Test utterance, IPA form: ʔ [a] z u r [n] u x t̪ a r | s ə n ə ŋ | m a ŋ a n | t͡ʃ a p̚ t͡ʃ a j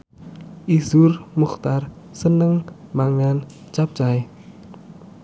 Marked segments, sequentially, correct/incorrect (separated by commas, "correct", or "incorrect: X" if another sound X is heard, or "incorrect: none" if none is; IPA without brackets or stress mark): incorrect: i, incorrect: m